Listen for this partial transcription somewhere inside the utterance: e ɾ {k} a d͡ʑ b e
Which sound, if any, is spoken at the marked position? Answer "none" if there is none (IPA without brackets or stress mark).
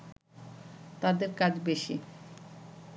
k